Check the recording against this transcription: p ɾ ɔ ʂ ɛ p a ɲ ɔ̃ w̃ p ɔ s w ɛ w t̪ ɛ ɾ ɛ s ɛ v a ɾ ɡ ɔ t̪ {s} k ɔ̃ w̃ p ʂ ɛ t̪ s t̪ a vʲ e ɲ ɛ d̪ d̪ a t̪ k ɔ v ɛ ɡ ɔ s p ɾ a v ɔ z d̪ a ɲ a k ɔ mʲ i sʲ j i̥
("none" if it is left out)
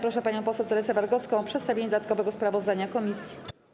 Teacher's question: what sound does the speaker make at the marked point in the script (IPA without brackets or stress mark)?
s